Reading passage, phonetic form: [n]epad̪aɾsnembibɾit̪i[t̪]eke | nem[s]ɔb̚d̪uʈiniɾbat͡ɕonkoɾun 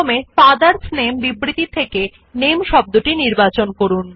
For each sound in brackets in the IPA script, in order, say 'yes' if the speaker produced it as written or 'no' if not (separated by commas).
no, no, no